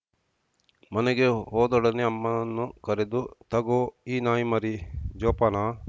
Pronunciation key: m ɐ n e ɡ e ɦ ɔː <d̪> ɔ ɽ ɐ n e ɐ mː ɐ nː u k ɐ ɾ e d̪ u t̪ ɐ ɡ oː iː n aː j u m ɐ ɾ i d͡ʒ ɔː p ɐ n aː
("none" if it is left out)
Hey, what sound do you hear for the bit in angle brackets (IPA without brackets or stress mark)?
d̪